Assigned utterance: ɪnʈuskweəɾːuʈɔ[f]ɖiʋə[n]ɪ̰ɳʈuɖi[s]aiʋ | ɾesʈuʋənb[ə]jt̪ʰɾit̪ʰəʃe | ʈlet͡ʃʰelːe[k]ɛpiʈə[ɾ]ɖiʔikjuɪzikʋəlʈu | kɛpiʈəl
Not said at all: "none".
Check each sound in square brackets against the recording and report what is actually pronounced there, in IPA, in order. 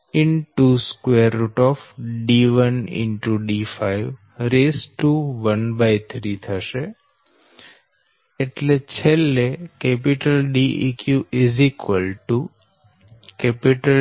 f, n, f, a, k, l

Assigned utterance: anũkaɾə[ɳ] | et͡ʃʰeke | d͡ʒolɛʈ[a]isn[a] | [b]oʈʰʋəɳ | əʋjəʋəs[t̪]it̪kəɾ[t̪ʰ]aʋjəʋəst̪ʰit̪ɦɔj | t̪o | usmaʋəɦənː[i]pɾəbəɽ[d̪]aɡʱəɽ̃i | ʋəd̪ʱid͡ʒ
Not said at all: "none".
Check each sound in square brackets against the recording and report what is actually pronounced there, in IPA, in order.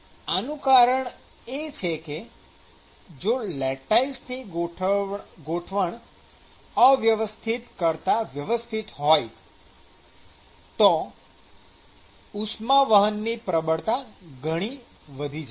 ɳ, a, i, ɡ, t̪ʰ, t̪, i, t̪

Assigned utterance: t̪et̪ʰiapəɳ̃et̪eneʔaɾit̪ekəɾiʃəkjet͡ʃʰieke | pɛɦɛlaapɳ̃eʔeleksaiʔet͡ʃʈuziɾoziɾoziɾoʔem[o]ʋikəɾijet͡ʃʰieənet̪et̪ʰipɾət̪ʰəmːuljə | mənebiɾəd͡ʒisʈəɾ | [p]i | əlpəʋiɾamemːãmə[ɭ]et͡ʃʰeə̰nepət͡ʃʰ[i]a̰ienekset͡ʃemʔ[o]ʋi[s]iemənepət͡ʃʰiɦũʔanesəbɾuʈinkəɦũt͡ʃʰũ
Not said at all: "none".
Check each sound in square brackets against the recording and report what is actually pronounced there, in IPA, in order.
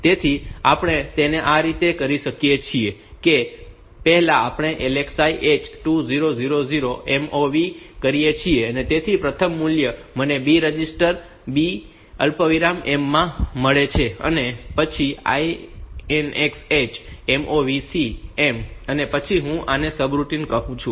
o, b, ɭ, i, o, s

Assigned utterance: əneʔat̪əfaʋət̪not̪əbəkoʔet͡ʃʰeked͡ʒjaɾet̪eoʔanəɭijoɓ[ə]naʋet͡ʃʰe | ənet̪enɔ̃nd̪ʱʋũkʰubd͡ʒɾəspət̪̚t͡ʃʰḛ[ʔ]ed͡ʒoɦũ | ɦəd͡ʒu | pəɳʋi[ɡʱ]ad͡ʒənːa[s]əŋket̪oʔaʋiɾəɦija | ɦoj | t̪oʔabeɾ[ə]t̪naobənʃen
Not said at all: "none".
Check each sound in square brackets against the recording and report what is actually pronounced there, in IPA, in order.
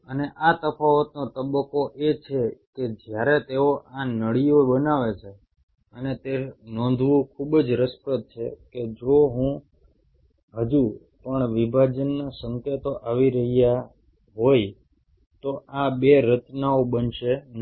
ə, k, bʱ, s, ə

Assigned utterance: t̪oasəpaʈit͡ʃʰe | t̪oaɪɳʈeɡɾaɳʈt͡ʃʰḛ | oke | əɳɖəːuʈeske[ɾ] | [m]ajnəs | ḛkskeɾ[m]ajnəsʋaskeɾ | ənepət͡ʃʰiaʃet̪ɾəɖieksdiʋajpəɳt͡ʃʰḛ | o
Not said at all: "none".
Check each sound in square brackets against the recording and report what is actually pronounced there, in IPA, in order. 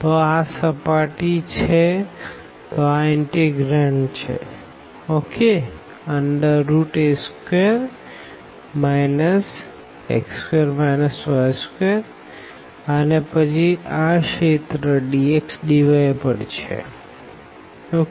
ɾ, m, m

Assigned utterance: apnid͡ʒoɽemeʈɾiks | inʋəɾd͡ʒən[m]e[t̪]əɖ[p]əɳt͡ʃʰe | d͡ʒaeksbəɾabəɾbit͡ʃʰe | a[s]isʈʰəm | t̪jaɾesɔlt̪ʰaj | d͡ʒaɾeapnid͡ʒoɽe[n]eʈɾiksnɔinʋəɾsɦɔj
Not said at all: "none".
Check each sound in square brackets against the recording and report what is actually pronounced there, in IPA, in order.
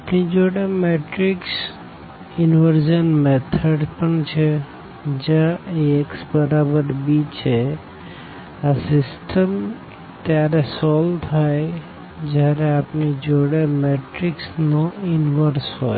m, t̪ʰ, p, s, m

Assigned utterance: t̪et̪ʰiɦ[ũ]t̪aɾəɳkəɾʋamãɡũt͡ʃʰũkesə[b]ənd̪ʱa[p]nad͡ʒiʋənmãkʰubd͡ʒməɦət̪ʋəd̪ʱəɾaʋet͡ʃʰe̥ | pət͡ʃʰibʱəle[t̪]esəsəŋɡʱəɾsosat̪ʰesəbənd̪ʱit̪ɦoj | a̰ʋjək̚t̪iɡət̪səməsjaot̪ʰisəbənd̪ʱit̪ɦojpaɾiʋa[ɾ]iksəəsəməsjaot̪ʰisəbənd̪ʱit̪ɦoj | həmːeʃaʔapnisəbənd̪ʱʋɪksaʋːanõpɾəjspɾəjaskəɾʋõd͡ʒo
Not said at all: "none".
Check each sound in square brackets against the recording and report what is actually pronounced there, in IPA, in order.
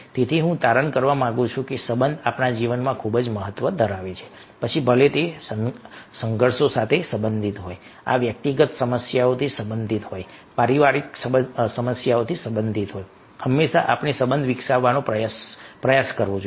ũ, b, p, t̪, ɾ

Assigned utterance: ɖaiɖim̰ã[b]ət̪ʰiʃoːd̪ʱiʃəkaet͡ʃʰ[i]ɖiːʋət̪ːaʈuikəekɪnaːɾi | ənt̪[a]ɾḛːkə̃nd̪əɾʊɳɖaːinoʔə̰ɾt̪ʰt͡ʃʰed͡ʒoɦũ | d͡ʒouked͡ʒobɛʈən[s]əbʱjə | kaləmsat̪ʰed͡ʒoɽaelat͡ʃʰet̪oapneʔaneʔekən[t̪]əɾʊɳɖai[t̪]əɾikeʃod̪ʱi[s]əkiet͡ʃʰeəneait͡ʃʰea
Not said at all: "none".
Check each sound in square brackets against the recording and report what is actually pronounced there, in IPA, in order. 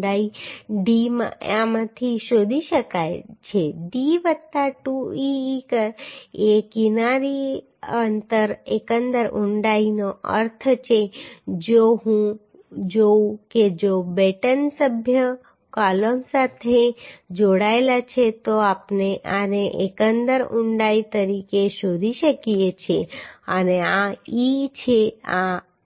m, e, ə, s, d̪, t̪, ʃ

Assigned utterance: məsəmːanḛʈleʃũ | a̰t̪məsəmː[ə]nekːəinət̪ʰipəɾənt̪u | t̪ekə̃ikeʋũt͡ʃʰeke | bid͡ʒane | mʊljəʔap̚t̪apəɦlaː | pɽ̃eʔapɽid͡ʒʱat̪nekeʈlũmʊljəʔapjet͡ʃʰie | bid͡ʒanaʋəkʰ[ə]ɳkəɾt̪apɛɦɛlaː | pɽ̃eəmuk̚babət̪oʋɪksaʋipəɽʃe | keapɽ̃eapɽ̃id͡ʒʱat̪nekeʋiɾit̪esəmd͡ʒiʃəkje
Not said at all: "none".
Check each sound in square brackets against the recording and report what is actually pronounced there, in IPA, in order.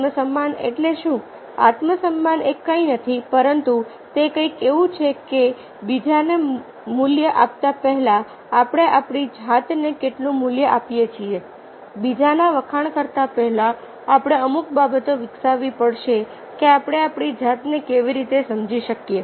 a, a

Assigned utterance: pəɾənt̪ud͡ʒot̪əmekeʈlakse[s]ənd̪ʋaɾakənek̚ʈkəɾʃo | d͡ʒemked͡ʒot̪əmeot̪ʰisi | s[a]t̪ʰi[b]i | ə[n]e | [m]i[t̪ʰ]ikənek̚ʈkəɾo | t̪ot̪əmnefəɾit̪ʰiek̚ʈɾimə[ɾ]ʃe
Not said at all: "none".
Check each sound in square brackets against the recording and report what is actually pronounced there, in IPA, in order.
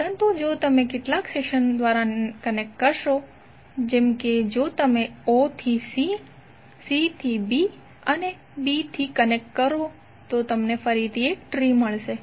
ʃ, i, b, n, b, t̪ʰ, ɭ

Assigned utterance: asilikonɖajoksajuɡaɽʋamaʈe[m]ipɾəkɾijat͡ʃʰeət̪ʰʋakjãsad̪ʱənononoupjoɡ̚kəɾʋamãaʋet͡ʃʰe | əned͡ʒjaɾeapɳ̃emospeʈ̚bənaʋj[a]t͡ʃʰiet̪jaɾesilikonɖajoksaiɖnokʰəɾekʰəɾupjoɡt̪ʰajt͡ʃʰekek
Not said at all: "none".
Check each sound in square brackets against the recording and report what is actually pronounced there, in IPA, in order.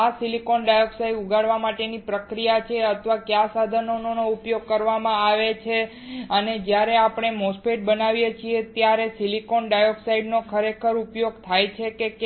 n, e

